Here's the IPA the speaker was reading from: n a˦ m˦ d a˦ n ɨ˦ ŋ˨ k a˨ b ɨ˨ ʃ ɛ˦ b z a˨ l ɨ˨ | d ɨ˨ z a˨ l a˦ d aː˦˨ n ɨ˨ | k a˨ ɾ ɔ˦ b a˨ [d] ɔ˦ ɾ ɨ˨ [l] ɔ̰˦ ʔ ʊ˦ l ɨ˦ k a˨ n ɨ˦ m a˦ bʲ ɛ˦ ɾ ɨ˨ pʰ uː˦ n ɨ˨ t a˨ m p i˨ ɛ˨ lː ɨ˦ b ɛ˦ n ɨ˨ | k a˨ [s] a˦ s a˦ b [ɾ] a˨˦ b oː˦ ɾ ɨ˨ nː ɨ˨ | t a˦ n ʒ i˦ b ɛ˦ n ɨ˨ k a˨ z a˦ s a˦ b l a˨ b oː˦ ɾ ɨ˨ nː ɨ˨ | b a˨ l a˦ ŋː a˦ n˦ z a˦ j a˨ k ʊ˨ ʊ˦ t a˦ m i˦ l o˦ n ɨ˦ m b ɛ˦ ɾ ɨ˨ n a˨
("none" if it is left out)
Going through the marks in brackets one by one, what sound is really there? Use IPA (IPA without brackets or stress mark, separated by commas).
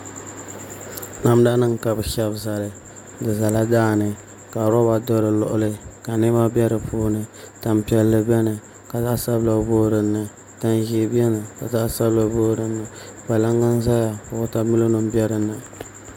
d, l, z, l